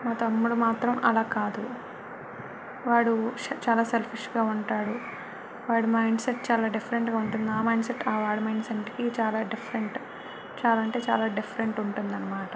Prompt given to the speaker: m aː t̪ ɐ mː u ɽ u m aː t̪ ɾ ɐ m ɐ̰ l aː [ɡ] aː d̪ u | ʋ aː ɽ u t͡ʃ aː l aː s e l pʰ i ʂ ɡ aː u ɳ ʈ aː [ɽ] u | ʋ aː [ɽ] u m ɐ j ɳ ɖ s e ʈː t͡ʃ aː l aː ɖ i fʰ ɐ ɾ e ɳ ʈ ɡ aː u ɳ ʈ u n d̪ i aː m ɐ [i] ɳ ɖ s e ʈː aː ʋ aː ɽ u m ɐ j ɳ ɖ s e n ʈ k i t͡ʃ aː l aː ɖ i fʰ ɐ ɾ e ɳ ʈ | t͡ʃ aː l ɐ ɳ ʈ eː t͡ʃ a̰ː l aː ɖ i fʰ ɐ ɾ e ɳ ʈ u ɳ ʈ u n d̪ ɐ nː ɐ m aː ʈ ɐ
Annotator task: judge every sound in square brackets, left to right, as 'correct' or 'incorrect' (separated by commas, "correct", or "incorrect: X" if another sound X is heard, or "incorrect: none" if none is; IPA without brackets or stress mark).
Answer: incorrect: k, correct, correct, incorrect: j